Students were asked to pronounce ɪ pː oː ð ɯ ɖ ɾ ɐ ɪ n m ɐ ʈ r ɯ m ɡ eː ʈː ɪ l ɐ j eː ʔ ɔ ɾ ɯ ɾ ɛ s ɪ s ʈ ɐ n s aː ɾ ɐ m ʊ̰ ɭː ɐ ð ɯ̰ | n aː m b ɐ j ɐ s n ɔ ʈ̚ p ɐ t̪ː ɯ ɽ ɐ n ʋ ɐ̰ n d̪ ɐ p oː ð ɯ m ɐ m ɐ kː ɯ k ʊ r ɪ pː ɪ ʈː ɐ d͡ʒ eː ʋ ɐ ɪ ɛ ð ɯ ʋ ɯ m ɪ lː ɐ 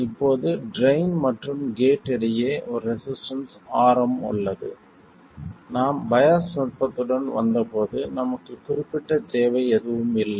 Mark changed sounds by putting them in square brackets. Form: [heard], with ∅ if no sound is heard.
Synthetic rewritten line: ɪ pː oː ð ɯ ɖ ɾ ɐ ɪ n m ɐ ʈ r ɯ m ɡ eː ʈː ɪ [ɽ] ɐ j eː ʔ ɔ ɾ ɯ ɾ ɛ s ɪ s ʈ ɐ n s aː ɾ ɐ m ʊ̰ ɭː ɐ ð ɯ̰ | n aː m b ɐ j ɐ s n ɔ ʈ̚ p ɐ t̪ː ɯ ɽ ɐ n ʋ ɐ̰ n d̪ ɐ p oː ð ɯ [n] ɐ m ɐ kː ɯ k ʊ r ɪ pː ɪ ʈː ɐ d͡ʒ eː ʋ ɐ ɪ ɛ ð ɯ ʋ ɯ m ɪ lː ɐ